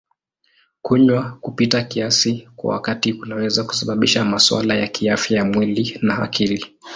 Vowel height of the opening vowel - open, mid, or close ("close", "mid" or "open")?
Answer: close